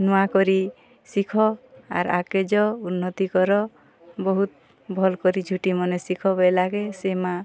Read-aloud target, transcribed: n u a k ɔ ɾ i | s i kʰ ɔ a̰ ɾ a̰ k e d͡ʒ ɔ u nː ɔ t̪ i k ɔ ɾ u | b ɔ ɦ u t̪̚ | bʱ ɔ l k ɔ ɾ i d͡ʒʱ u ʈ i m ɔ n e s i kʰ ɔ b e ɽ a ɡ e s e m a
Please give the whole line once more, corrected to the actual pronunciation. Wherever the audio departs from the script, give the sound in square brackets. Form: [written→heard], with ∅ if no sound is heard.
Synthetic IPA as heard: n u a k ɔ ɾ i | s i kʰ ɔ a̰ ɾ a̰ k e d͡ʒ ɔ u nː ɔ t̪ i k ɔ ɾ [u→ɔ] | b ɔ ɦ u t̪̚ | bʱ ɔ l k ɔ ɾ i d͡ʒʱ u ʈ i m ɔ n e s i kʰ ɔ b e [ɽ→l] a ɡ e s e m a